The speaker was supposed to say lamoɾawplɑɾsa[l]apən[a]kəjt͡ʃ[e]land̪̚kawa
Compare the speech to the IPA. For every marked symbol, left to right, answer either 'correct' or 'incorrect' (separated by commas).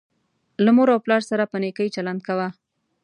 incorrect, incorrect, incorrect